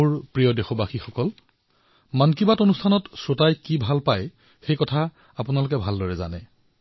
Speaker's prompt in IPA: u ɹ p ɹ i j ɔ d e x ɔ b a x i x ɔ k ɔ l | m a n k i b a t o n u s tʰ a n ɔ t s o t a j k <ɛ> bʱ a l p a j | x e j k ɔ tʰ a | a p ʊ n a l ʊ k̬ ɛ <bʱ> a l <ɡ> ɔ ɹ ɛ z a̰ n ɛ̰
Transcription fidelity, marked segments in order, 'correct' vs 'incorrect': incorrect: i, correct, incorrect: d

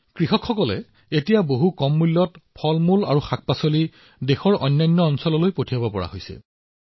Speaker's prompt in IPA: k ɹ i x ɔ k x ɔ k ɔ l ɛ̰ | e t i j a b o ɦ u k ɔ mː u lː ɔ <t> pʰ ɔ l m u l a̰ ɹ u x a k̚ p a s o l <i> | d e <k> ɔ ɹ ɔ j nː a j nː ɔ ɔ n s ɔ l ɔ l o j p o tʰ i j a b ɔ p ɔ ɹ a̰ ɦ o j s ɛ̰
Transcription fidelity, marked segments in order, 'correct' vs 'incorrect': correct, correct, incorrect: x

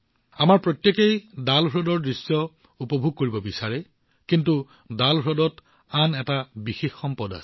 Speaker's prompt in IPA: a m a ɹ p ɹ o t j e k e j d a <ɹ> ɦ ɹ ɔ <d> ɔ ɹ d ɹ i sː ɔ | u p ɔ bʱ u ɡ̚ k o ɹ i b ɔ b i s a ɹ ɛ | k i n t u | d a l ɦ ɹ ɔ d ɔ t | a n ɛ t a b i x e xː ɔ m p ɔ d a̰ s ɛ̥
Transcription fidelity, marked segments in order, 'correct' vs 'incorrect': incorrect: l, correct

